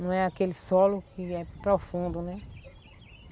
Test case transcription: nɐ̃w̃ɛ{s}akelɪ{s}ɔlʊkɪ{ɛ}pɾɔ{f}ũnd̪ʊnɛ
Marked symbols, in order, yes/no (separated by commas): no, yes, yes, yes